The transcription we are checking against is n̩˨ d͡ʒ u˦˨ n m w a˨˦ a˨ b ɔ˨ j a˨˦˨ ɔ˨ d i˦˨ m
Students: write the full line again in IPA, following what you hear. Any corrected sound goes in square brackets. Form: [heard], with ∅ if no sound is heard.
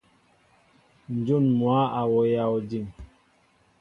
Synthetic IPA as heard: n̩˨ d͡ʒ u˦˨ n m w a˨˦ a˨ [w] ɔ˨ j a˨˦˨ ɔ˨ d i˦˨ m

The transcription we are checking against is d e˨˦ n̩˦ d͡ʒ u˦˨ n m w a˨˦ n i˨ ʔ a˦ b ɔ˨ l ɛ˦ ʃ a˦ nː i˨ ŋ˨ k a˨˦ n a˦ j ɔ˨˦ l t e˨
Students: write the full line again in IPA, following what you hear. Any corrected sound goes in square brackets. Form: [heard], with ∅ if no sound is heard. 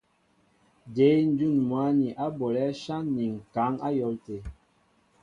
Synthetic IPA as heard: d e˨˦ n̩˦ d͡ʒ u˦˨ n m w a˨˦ n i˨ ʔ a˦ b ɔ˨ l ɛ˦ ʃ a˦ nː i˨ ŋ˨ k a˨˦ [ŋ] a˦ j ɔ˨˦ l t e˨

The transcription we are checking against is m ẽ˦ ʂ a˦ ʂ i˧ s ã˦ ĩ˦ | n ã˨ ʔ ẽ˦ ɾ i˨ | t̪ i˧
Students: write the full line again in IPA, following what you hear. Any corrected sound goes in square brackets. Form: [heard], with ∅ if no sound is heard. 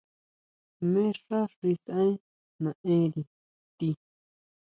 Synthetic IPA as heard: m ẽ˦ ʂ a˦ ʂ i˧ s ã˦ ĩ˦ | n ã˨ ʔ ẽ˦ ɾ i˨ | t̪ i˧

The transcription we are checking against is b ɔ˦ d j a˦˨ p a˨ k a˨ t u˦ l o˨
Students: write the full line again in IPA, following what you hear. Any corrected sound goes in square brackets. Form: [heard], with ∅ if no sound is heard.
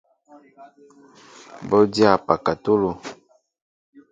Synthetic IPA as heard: b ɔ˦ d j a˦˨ p a˨ k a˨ t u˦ l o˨

